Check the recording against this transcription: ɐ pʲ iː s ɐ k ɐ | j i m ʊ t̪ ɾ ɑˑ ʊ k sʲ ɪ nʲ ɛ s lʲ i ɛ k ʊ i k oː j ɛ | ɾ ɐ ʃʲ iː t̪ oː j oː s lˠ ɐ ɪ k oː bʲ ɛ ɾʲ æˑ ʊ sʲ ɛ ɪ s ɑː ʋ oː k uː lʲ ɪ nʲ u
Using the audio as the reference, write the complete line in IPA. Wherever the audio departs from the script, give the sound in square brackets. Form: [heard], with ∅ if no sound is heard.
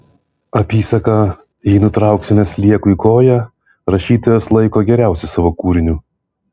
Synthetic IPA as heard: ɐ pʲ iː s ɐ k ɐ | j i [n] ʊ t̪ ɾ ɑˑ ʊ k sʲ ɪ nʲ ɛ s lʲ i ɛ k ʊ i k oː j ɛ | ɾ ɐ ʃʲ iː t̪ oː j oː s lˠ ɐ ɪ k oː [ɡʲ] ɛ ɾʲ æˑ ʊ sʲ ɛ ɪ s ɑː ʋ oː k uː [ɾʲ] ɪ nʲ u

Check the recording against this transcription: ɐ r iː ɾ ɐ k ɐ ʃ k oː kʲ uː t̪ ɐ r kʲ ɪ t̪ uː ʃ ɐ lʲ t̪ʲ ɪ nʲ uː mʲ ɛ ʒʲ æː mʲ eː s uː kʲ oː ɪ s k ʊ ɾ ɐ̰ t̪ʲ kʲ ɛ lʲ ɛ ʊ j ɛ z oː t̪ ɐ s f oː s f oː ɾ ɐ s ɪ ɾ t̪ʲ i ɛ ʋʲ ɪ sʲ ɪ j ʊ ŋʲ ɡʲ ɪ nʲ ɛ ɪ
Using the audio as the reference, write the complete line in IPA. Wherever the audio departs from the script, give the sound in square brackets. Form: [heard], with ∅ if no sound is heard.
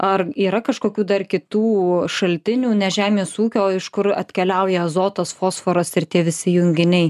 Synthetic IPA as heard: ɐ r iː ɾ ɐ k ɐ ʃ k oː kʲ uː [d̪] ɐ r kʲ ɪ t̪ uː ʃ ɐ lʲ t̪ʲ ɪ nʲ uː [nʲ] ɛ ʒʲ æː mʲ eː s uː kʲ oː ɪ [ʃ] k ʊ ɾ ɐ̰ t̪ʲ kʲ ɛ lʲ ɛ ʊ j ɛ z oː t̪ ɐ s f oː s f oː ɾ ɐ s ɪ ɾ t̪ʲ i ɛ ʋʲ ɪ sʲ ɪ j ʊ ŋʲ ɡʲ ɪ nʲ ɛ ɪ

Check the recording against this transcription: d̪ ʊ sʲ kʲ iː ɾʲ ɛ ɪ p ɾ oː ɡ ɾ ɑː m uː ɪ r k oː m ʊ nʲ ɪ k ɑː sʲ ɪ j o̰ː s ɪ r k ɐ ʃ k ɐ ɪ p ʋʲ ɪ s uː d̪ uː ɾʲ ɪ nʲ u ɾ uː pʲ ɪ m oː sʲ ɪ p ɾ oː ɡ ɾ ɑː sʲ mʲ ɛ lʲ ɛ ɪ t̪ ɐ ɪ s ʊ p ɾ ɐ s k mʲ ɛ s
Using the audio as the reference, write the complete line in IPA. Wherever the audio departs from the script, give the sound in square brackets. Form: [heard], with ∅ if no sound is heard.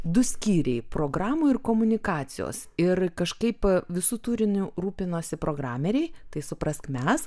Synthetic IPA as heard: d̪ ʊ sʲ kʲ iː ɾʲ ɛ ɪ p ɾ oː ɡ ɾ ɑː m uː ɪ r k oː m ʊ nʲ ɪ k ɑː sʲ ɪ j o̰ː s ɪ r k ɐ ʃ k ɐ ɪ p ʋʲ ɪ s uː [t̪] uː ɾʲ ɪ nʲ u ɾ uː pʲ ɪ [n] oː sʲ ɪ p ɾ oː ɡ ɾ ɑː [∅] mʲ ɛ [ɾʲ] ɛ ɪ t̪ ɐ ɪ s ʊ p ɾ ɐ s k mʲ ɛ s

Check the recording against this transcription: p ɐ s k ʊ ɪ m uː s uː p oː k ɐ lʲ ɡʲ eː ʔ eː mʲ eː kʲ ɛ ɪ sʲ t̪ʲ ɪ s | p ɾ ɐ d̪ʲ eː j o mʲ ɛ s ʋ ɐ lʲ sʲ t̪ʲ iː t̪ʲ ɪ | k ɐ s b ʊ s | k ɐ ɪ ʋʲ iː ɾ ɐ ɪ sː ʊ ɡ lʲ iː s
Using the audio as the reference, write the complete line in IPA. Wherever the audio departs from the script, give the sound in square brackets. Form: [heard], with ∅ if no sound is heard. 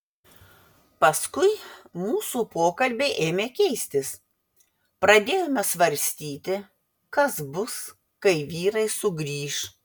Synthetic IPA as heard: p ɐ s k ʊ ɪ m uː s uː p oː k ɐ lʲ [bʲ] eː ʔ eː mʲ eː kʲ ɛ ɪ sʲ t̪ʲ ɪ s | p ɾ ɐ d̪ʲ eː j o mʲ ɛ s ʋ ɐ [ɾʲ] sʲ t̪ʲ iː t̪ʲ ɪ | k ɐ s b ʊ s | k ɐ ɪ ʋʲ iː ɾ ɐ ɪ [s] ʊ ɡ [ɾʲ] iː [ʃ]

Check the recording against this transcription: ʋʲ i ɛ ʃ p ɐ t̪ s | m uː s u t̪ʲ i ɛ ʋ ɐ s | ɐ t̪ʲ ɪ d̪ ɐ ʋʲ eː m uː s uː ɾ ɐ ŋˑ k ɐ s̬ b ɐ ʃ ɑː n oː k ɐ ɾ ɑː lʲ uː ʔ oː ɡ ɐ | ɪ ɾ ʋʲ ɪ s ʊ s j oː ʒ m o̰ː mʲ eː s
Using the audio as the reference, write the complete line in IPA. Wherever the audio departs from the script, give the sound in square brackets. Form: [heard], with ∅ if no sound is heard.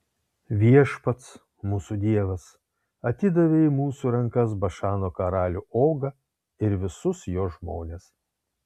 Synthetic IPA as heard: ʋʲ i ɛ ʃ p ɐ t̪ s | m uː s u [d̪ʲ] i ɛ ʋ ɐ s | ɐ t̪ʲ ɪ d̪ ɐ ʋʲ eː m uː s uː ɾ ɐ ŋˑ k ɐ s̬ b ɐ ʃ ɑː n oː k ɐ ɾ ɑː lʲ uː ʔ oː ɡ ɐ | ɪ ɾ ʋʲ ɪ s ʊ s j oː ʒ m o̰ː [nʲ] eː s

